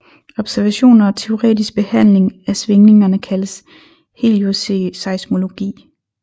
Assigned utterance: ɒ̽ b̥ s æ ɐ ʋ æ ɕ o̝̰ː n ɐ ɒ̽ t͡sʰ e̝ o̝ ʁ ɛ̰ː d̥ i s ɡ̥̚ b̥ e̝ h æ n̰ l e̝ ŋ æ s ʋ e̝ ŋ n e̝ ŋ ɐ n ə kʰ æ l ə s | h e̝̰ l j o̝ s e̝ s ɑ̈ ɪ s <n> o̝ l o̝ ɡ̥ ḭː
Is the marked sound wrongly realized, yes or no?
yes